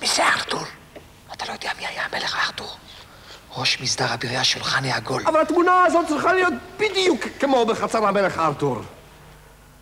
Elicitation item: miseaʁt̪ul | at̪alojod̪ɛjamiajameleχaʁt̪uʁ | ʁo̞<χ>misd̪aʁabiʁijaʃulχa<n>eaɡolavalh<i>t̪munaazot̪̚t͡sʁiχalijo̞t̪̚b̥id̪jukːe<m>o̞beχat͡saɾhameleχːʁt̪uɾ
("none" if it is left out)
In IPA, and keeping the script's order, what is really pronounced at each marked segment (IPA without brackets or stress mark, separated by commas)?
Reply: ʃ, n, a, m